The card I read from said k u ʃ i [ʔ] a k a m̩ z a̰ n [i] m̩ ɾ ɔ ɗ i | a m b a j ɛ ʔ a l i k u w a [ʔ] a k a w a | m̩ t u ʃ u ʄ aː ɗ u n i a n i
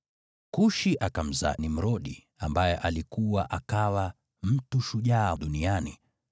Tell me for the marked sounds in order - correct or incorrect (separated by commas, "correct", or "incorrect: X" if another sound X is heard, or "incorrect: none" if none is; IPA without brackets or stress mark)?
correct, correct, correct